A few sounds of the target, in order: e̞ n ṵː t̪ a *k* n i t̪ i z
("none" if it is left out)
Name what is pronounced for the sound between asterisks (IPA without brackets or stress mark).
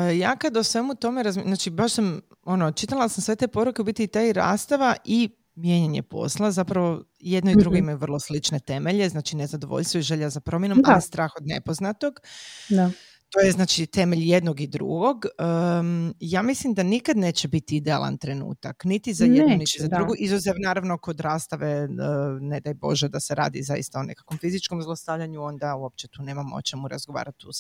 k